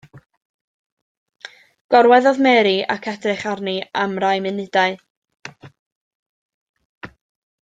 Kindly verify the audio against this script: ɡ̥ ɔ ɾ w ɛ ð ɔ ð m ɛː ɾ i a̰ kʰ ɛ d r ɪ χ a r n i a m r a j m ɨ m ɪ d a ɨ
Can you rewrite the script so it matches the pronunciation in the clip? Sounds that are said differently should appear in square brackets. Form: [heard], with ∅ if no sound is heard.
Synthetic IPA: ɡ̥ ɔ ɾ w ɛ ð ɔ ð m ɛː ɾ i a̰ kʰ ɛ d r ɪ χ a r n i a m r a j m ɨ [n] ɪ d a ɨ

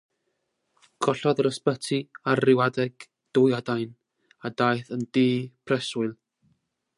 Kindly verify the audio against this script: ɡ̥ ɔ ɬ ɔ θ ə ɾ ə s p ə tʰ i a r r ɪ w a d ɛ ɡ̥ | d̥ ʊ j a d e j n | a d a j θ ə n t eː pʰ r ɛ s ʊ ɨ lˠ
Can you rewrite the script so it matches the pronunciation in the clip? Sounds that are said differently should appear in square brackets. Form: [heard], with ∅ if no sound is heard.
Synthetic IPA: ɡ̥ ɔ ɬ ɔ [ð] ə ɾ ə s p ə tʰ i a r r ɪ w a d ɛ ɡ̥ | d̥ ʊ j a d [a] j n | a d a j θ ə n [d] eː pʰ r ɛ s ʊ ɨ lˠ

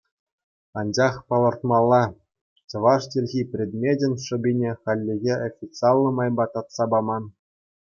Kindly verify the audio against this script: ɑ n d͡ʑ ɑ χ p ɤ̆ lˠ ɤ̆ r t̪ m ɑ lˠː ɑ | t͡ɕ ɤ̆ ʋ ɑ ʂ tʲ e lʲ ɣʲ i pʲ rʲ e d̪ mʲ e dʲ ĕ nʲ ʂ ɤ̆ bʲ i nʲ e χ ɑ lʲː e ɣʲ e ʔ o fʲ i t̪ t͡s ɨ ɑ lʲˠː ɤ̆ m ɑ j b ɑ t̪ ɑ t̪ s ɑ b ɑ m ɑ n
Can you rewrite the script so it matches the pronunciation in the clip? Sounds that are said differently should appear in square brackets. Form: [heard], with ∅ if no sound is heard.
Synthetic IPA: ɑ n d͡ʑ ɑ χ p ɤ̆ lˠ ɤ̆ r t̪ m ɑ lˠː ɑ | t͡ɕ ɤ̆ ʋ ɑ ʂ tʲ e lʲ ɣʲ i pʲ rʲ e d̪ mʲ e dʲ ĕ nʲ ʂ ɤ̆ bʲ i nʲ e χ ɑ lʲː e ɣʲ e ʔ o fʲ i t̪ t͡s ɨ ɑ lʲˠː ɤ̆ m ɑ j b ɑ t̪ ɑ t̪ s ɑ b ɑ m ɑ n

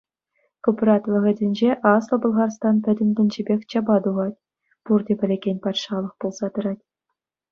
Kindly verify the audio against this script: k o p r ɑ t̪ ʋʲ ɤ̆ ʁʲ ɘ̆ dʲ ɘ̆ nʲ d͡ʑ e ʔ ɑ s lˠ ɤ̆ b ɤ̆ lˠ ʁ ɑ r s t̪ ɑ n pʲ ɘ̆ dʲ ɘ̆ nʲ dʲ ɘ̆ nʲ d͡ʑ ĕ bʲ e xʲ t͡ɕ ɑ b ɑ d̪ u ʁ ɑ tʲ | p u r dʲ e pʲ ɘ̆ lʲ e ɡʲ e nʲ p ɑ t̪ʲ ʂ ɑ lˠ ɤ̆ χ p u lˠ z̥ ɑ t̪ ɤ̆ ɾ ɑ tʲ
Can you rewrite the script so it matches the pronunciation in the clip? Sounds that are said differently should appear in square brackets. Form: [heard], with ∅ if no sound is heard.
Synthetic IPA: k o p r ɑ t̪ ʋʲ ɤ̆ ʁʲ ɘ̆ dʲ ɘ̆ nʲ d͡ʑ e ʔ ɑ s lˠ ɤ̆ b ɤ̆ lˠ ʁ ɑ r s t̪ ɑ n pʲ ɘ̆ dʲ ɘ̆ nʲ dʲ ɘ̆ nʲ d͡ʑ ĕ bʲ e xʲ t͡ɕ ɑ b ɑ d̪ u ʁ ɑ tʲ | p u r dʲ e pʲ ɘ̆ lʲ e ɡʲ e nʲ p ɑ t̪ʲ ʂ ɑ lˠ ɤ̆ χ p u lˠ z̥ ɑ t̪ ɤ̆ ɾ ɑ tʲ

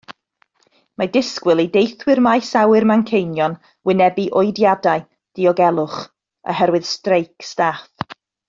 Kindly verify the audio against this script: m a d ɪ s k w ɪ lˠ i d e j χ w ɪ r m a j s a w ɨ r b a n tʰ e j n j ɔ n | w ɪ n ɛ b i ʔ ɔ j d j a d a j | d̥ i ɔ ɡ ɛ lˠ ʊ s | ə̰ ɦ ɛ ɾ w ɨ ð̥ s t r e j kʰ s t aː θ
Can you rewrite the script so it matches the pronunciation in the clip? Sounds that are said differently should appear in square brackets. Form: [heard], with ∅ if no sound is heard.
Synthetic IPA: m a d ɪ s k w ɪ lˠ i d e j [θ] w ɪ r m a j s a w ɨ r [m] a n [kʰ] e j n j ɔ n | w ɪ n ɛ b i ʔ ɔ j d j a d a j | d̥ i ɔ ɡ ɛ lˠ ʊ [χ] | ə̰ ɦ ɛ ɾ w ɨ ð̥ s t r e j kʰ s t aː θ

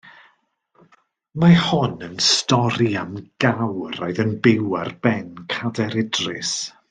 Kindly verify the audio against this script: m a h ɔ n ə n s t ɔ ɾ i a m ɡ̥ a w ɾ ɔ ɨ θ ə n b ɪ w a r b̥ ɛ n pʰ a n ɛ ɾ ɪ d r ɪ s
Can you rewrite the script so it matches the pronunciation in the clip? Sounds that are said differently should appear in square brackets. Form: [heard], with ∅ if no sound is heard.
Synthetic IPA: m a h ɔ n ə n s t ɔ ɾ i a m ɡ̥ a w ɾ ɔ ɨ [ð] ə n b ɪ w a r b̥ ɛ n [kʰ] a [d] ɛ ɾ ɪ d r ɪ s

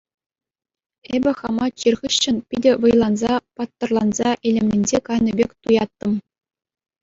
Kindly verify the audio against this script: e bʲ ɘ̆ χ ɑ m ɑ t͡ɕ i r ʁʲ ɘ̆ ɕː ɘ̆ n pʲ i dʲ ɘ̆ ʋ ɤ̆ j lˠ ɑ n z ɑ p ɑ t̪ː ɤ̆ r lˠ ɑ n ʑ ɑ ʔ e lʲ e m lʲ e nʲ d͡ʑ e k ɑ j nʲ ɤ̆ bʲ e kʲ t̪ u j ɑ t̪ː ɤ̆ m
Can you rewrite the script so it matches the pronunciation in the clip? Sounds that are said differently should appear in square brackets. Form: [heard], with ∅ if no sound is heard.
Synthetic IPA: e bʲ ɘ̆ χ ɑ m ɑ t͡ɕ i r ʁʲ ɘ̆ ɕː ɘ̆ n pʲ i dʲ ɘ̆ ʋ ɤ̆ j lˠ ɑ n z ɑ p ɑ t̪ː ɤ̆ r lˠ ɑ n [z] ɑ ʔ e lʲ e m lʲ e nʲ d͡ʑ e k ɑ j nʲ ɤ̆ bʲ e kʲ t̪ u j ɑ t̪ː ɤ̆ m

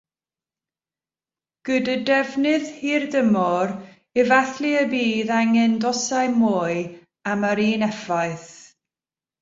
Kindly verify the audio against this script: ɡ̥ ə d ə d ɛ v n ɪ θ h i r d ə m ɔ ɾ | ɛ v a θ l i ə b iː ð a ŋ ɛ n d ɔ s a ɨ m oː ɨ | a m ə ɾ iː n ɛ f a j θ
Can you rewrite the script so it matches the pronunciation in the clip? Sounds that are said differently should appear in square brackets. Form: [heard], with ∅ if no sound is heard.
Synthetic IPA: ɡ̥ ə d ə d ɛ v n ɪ [ð] h i r d ə m ɔ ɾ | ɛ v a θ l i ə b iː ð a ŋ ɛ n d ɔ s a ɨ m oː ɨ | a m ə ɾ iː n ɛ f a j θ

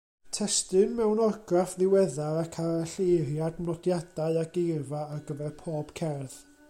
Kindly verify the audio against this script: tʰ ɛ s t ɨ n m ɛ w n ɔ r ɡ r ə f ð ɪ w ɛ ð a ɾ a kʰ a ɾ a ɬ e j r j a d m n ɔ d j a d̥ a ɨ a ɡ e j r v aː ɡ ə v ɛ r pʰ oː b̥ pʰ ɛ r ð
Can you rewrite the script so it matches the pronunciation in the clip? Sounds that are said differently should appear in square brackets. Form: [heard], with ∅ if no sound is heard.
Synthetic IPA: tʰ ɛ s t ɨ n m ɛ w n ɔ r ɡ r [a] f ð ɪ w ɛ ð a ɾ a kʰ a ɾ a ɬ e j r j a d m n ɔ d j a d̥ a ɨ a ɡ e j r v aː ɡ ə v ɛ r pʰ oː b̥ [kʰ] ɛ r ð

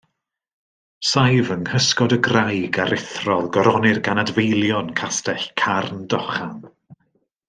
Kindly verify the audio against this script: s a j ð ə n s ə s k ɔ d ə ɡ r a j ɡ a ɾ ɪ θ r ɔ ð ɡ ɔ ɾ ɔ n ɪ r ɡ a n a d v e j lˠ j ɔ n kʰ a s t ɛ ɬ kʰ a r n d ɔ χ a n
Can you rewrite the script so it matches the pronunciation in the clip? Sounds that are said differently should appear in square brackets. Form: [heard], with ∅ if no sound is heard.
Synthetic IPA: s a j [v] ə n [h] ə s k ɔ d ə ɡ r a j ɡ a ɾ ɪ θ r ɔ ð ɡ ɔ ɾ ɔ n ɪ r ɡ a n a d v e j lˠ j ɔ n kʰ a s t ɛ ɬ kʰ a r n d ɔ χ a n

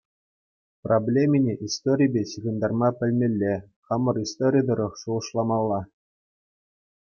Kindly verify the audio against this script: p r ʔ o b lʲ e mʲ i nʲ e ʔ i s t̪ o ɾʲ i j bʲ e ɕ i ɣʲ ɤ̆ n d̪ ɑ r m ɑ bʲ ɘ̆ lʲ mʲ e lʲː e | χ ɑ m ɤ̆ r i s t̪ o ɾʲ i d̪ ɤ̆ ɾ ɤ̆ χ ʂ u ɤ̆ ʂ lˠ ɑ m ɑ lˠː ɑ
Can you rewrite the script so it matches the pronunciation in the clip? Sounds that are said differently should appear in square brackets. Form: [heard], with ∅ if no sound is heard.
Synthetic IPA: p r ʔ o b lʲ e mʲ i nʲ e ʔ i s t̪ o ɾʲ i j bʲ e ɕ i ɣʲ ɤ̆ n d̪ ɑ r m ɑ [pʲ] ɘ̆ lʲ mʲ e lʲː e | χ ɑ m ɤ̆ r i s t̪ o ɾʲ i d̪ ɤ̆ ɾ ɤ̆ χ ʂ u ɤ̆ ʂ lˠ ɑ m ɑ lˠː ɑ

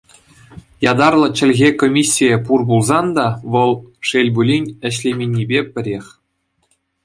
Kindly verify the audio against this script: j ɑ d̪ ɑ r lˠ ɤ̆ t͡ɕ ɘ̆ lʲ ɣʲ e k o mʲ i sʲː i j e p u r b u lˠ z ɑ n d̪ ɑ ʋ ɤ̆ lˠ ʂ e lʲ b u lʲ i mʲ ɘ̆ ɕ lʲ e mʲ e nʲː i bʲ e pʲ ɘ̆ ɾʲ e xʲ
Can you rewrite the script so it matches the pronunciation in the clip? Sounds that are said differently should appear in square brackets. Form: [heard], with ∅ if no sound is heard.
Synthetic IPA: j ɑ d̪ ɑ r lˠ ɤ̆ t͡ɕ ɘ̆ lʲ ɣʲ e k o mʲ i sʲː i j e p u r b u lˠ z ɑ n d̪ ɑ ʋ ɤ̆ lˠ ʂ e lʲ b u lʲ i [nʲ] ɘ̆ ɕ lʲ e mʲ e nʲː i bʲ e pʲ ɘ̆ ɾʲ e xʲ

